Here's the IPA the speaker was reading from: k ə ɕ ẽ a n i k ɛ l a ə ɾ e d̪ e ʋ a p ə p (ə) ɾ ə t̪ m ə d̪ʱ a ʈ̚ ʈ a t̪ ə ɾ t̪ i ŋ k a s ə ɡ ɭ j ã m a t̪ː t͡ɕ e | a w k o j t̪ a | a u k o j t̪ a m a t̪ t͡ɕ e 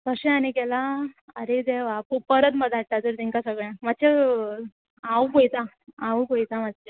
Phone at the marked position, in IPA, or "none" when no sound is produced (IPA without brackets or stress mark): ə